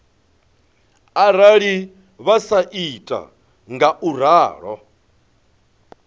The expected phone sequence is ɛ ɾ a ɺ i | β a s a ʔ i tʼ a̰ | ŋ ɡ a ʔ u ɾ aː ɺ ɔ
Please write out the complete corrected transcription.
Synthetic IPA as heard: a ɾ a ɺ i | β a s a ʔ i tʼ a̰ | ŋ ɡ a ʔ u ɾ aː ɺ ɔ